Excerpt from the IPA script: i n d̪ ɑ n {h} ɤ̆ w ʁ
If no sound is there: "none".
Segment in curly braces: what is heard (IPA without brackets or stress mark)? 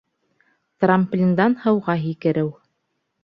h